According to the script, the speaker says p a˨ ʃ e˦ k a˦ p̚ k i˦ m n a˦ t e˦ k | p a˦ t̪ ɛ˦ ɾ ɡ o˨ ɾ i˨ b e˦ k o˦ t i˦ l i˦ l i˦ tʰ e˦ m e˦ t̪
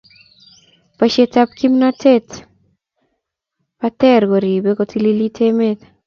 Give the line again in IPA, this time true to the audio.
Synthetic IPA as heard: p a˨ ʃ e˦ t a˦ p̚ k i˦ m n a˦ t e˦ t | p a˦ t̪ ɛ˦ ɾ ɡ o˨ ɾ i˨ b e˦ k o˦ t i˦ l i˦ l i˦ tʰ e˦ m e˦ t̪